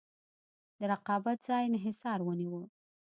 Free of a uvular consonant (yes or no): no